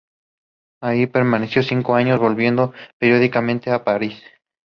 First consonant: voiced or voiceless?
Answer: voiceless